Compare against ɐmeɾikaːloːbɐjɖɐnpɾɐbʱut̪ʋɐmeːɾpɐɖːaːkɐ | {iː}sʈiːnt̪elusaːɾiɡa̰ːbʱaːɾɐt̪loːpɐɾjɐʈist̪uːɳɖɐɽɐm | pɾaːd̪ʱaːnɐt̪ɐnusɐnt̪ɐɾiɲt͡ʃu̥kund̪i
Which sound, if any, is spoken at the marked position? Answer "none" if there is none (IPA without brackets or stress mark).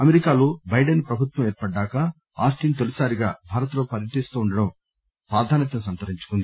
aː